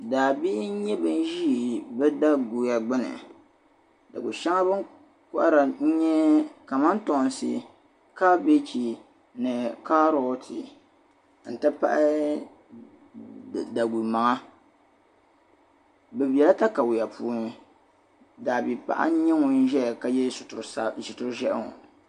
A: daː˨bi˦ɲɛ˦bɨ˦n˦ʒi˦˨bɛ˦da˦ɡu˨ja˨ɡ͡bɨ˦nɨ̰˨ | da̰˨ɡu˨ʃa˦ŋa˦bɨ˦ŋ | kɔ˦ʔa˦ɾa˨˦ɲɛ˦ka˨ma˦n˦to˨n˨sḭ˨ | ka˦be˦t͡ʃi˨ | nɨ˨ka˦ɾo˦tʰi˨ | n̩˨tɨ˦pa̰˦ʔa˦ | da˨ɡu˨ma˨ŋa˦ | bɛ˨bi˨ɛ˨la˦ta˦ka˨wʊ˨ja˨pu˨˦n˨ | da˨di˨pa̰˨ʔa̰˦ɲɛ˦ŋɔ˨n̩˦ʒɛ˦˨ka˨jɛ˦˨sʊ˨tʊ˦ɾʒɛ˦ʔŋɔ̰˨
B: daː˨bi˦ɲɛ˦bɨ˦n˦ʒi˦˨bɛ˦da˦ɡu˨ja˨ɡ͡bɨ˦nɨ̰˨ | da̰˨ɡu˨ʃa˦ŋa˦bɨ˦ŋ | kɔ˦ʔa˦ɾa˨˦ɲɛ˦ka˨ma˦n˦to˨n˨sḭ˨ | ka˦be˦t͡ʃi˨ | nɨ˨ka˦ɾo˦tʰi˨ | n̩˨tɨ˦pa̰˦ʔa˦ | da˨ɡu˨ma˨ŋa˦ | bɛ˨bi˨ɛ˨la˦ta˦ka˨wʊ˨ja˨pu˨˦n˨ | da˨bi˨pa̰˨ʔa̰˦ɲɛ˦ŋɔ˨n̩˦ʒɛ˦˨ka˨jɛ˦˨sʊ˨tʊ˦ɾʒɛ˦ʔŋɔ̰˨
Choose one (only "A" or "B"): B